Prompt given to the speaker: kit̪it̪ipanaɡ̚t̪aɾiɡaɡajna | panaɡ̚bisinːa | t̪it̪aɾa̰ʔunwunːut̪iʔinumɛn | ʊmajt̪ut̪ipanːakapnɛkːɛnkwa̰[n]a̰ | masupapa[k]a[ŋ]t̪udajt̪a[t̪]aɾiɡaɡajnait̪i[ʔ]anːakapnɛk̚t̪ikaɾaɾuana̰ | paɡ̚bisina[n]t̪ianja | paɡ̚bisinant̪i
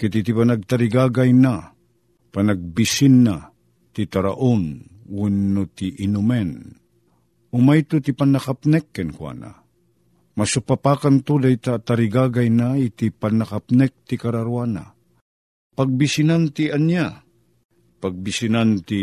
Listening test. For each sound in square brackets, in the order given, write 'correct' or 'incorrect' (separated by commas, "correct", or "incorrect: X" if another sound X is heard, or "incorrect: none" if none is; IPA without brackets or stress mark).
correct, correct, incorrect: n, correct, incorrect: p, correct